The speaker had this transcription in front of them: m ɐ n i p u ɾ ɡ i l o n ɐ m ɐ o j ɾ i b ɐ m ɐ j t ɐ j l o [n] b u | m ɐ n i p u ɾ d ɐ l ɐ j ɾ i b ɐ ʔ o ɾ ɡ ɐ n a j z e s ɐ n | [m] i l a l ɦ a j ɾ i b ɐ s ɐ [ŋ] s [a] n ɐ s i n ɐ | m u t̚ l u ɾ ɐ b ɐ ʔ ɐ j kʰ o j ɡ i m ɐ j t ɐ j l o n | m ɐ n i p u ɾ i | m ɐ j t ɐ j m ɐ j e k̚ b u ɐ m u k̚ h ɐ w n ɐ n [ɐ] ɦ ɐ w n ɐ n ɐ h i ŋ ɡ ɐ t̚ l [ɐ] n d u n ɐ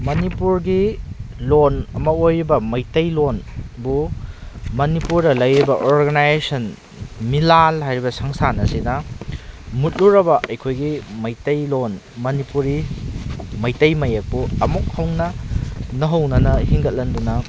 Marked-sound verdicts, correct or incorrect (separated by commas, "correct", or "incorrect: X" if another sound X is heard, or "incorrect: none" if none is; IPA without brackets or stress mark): correct, correct, correct, correct, correct, correct